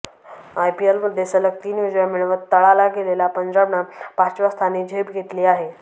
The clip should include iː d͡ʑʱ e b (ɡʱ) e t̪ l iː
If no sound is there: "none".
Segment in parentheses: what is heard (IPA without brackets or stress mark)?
ɡʱ